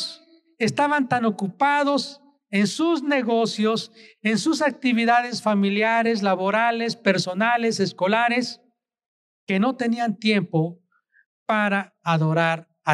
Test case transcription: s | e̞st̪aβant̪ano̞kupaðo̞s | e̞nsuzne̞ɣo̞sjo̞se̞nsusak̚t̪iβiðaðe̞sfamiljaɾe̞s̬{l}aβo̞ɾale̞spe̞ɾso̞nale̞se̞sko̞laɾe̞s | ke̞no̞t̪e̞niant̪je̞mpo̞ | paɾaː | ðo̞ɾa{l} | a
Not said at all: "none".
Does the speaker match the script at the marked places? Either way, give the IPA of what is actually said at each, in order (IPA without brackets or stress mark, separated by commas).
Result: l, ɾ